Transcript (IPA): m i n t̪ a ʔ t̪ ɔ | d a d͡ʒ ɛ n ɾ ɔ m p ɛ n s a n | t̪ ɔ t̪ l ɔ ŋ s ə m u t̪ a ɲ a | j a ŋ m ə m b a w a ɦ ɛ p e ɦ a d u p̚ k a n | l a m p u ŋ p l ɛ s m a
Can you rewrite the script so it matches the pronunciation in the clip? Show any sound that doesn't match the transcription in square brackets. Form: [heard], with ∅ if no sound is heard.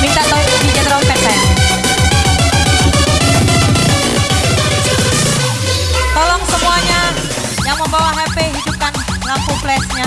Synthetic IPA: m i n t̪ a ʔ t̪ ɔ | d [i] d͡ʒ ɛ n ɾ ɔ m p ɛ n s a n | t̪ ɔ [∅] l ɔ ŋ s ə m u [∅] a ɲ a | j a ŋ m ə m b a w a ɦ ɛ p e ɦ [i] d u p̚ k a n | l a m p u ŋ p l ɛ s [ɲ] a